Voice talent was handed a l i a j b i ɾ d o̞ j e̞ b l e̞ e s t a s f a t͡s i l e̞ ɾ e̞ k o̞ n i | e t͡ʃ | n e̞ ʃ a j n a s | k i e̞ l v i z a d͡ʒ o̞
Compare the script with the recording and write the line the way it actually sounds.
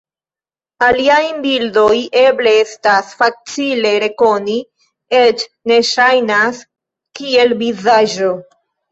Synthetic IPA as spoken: a l i a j b i l d o̞ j e̞ b l e̞ e s t a s f a t͡s i l e̞ ɾ e̞ k o̞ n i | e t͡ʃ | n e̞ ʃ a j n a s | k i e̞ l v i z a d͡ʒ o̞